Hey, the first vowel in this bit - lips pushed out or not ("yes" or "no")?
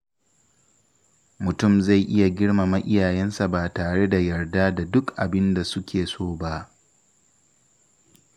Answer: yes